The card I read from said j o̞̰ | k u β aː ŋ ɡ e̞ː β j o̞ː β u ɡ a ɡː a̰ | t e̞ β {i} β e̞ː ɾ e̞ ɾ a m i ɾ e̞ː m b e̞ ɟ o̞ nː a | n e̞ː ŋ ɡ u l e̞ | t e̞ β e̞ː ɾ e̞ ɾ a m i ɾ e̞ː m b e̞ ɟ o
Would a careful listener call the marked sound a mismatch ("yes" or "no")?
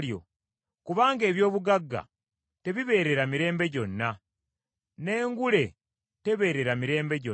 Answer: no